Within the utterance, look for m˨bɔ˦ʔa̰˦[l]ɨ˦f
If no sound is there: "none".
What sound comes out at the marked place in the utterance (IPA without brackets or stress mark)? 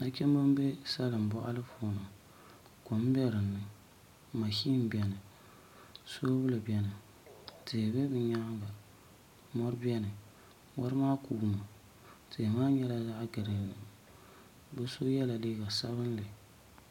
l